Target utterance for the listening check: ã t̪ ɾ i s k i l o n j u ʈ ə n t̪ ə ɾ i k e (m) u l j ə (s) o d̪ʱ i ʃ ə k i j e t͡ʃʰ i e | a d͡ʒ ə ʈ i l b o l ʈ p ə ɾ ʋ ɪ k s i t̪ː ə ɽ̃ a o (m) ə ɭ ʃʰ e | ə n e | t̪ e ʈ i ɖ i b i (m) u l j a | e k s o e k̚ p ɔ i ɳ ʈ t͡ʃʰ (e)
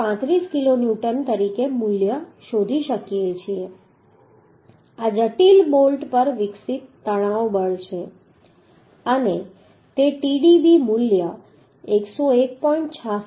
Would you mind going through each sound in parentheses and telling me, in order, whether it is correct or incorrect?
correct, incorrect: ʃ, incorrect: b, correct, incorrect: a

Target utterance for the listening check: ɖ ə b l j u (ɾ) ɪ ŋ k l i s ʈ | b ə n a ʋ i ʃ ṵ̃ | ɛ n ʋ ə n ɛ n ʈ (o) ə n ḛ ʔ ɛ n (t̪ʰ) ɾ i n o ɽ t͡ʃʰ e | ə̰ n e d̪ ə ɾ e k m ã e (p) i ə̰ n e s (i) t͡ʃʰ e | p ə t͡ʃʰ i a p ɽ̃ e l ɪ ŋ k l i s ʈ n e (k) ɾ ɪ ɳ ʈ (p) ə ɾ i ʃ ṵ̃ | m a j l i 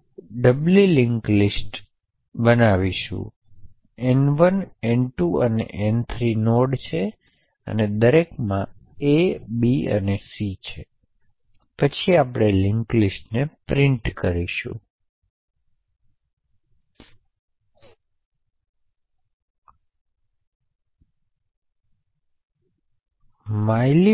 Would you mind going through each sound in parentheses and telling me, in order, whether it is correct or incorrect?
incorrect: l, incorrect: u, correct, incorrect: b, correct, incorrect: p, incorrect: k

